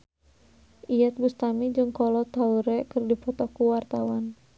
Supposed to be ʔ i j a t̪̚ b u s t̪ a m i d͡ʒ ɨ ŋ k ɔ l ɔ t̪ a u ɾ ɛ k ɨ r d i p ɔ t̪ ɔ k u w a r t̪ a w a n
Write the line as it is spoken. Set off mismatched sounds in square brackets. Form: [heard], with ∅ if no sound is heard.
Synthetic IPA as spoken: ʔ i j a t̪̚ b u s t̪ a m i d͡ʒ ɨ ŋ k ɔ l ɔ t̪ a u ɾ ɛ k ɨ r d i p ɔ t̪ ɔ k u w a r t̪ a w a n

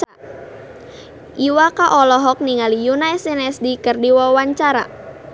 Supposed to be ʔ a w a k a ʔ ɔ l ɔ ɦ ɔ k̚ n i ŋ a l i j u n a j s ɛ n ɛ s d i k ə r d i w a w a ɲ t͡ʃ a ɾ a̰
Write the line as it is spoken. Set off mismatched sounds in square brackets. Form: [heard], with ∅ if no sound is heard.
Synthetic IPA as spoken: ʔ [i] w a k a ʔ ɔ l ɔ ɦ ɔ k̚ n i ŋ a l i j u n a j s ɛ n ɛ s d i k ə r d i w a w a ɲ t͡ʃ a ɾ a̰

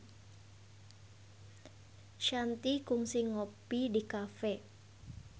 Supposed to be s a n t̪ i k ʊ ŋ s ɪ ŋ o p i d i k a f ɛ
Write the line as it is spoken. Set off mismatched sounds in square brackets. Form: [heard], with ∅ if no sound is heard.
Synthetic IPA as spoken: [ʃ] a n t̪ i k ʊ ŋ s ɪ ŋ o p i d i k a f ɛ

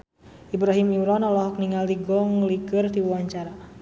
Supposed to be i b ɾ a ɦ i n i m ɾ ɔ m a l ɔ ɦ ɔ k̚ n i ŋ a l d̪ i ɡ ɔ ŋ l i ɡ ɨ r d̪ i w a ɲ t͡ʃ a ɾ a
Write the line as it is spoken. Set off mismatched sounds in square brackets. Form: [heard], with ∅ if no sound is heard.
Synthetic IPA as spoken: i b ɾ a ɦ i [m] i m ɾ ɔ [n] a l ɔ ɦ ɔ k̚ n i ŋ a l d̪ i ɡ ɔ ŋ l i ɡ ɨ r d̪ i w a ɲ t͡ʃ a ɾ a

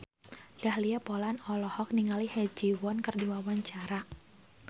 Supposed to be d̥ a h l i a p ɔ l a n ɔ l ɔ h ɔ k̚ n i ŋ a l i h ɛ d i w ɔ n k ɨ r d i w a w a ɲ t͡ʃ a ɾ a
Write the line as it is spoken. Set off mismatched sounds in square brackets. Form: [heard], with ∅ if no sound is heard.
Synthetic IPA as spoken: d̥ a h l i a p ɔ l a n ɔ l ɔ h ɔ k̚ n i ŋ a l i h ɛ [d͡ʒ] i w ɔ n k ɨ r d i w a w a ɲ t͡ʃ a ɾ a

